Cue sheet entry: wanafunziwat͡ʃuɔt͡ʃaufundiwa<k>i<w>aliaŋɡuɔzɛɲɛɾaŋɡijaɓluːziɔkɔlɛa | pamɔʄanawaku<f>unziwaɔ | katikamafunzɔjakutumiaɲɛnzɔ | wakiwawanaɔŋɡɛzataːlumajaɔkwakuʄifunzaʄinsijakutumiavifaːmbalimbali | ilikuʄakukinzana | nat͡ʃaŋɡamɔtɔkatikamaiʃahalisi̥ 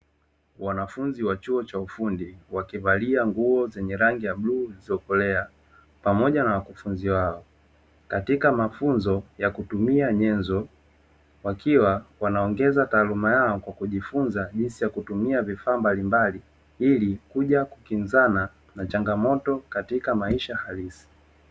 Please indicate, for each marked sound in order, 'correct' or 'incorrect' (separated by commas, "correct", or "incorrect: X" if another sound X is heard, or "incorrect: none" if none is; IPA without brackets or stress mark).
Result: correct, incorrect: v, correct